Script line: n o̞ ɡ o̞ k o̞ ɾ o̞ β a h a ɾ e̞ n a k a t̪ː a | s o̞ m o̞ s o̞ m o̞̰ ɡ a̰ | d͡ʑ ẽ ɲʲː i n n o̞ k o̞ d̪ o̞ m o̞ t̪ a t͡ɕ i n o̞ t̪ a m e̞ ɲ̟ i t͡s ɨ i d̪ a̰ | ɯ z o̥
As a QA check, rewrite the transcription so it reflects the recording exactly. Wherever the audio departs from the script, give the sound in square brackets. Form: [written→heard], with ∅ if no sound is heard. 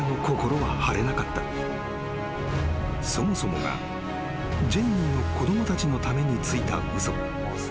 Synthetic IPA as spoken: n o̞ [ɡ→k] o̞ k o̞ ɾ o̞ β a h a ɾ e̞ n a k a t̪ː a | s o̞ m o̞ s o̞ m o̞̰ ɡ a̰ | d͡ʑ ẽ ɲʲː i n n o̞ k o̞ d̪ o̞ m o̞ t̪ a t͡ɕ i n o̞ t̪ a m e̞ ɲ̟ i t͡s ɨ i [d̪→t̪] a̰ | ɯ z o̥